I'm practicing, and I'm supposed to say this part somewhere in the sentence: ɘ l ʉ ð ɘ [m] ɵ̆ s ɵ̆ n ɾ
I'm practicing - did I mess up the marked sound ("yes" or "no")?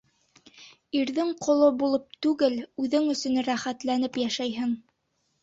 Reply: yes